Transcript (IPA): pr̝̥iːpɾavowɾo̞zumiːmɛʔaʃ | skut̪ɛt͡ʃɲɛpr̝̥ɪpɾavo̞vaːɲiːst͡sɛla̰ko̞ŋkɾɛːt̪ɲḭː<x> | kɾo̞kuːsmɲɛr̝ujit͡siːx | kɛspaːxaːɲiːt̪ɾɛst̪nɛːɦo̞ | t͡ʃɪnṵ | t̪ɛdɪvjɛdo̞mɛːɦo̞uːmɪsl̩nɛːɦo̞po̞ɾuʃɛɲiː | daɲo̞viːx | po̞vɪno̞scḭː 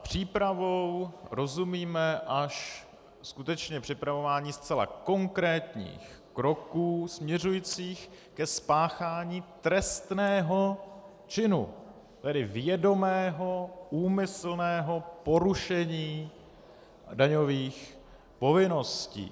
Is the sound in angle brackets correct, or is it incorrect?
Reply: correct